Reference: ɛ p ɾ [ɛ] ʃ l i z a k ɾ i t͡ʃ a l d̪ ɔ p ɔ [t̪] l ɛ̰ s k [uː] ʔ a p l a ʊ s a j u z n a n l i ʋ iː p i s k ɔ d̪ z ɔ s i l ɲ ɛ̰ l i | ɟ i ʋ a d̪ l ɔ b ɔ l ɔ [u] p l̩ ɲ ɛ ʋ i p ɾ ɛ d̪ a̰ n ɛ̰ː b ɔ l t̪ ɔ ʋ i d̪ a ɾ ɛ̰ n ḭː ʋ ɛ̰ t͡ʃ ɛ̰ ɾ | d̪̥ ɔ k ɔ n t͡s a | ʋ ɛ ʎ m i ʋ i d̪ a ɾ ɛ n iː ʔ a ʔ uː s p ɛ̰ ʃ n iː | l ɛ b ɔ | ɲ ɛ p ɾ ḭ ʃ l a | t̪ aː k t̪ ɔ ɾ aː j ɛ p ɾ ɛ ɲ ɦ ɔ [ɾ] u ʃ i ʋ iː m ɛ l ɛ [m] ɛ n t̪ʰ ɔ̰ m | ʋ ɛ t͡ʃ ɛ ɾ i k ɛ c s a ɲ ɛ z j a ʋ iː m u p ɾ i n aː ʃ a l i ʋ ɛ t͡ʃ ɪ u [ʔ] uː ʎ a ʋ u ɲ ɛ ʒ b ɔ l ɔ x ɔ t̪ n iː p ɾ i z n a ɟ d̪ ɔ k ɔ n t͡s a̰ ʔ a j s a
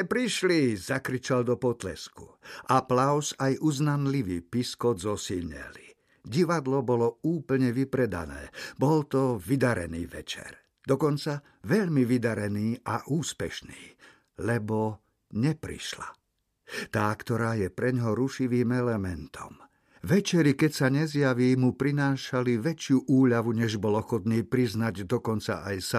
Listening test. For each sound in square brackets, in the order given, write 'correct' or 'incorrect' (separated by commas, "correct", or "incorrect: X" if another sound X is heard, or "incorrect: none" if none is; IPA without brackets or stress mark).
incorrect: i, correct, incorrect: u, incorrect: uː, correct, correct, correct